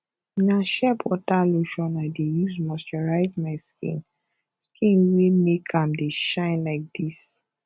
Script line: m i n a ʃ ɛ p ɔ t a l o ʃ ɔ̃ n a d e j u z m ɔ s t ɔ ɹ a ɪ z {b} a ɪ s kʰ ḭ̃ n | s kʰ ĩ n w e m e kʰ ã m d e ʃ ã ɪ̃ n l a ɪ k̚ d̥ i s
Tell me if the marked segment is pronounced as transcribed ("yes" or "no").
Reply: no